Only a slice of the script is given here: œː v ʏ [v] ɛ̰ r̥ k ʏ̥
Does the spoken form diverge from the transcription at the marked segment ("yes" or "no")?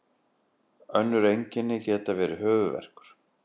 no